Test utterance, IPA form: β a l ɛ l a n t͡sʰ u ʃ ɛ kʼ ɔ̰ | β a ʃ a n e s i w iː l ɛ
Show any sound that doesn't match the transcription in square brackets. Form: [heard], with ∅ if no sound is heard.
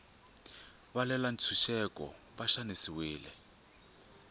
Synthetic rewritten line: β a l ɛ l a n t͡sʰ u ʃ ɛ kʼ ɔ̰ | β a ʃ a n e s i w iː l ɛ